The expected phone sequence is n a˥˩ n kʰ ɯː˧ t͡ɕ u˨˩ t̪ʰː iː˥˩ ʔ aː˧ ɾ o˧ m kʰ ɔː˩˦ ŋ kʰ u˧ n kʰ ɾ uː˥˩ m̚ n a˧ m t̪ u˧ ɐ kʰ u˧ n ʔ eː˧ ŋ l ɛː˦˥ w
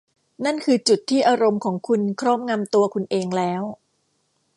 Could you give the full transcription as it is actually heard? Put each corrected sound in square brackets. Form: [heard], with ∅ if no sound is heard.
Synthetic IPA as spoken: n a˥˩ n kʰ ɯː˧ t͡ɕ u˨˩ t̪ʰː iː˥˩ ʔ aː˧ ɾ o˧ m kʰ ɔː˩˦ ŋ kʰ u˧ n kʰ ɾ [ɔː˥˩] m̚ [ŋ] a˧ m t̪ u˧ ɐ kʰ u˧ n ʔ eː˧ ŋ l ɛː˦˥ w